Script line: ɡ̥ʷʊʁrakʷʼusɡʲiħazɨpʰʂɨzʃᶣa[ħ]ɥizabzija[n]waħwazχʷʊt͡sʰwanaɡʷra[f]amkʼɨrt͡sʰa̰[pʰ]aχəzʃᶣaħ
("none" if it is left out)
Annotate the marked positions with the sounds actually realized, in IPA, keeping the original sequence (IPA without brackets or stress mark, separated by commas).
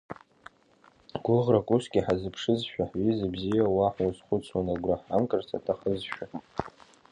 ħ, none, ħ, tʰ